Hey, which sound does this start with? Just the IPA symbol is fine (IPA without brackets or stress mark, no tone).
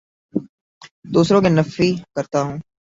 d̪